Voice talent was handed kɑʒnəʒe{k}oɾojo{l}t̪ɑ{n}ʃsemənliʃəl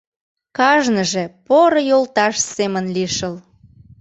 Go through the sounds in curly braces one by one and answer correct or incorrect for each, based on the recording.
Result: incorrect: p, correct, incorrect: none

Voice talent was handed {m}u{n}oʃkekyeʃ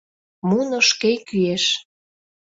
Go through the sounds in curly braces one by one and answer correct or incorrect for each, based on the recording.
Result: correct, correct

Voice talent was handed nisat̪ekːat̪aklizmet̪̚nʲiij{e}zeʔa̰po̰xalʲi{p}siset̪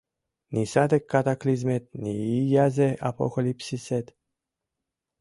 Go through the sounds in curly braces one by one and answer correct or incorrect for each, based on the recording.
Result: incorrect: a, correct

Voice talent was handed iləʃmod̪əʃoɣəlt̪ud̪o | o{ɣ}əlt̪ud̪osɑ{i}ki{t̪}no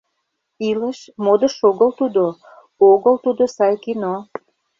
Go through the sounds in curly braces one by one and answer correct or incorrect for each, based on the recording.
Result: correct, incorrect: j, incorrect: none

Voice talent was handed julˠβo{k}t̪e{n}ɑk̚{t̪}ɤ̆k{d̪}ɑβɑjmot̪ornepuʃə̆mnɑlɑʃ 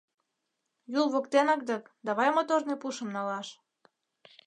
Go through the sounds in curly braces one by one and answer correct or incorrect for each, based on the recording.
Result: correct, correct, incorrect: d̪, correct

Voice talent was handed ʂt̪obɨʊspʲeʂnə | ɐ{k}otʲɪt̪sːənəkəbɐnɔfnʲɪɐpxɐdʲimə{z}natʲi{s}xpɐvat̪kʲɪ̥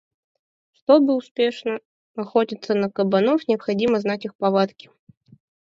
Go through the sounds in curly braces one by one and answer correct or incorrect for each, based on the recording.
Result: incorrect: x, correct, incorrect: none

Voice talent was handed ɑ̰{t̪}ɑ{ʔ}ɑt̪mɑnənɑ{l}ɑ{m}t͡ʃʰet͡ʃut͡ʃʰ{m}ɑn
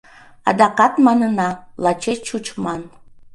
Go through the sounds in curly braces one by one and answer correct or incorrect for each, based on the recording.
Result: incorrect: d̪, incorrect: q, correct, incorrect: none, correct

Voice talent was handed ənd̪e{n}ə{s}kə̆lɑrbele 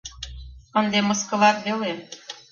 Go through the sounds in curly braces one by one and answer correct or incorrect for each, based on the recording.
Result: incorrect: m, correct

